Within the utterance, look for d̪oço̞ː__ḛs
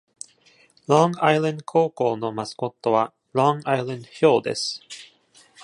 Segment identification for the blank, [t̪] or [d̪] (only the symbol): d̪